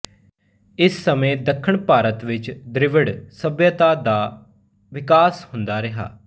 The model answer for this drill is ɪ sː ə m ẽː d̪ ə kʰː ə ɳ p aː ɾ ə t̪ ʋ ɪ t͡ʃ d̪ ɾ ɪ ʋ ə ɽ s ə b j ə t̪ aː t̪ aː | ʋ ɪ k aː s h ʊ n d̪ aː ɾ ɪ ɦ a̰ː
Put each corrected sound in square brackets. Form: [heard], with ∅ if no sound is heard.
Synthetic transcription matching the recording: ɪ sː ə m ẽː d̪ ə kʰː ə ɳ p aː ɾ ə t̪ ʋ ɪ t͡ʃ d̪ ɾ ɪ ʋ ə ɽ s ə b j ə t̪ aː [d̪] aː | ʋ ɪ k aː s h ʊ n d̪ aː ɾ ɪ ɦ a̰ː